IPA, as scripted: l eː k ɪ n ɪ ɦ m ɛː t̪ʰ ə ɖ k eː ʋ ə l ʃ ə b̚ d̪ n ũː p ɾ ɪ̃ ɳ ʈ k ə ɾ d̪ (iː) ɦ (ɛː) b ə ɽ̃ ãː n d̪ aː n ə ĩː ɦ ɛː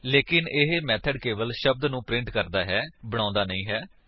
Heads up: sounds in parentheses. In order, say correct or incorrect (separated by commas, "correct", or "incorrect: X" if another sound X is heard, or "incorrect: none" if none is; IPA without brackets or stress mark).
incorrect: aː, correct